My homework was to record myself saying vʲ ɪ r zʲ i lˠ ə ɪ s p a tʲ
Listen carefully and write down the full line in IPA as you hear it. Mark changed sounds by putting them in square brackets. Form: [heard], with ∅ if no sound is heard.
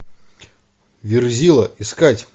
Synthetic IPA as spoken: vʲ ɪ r zʲ i lˠ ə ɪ s [k] a tʲ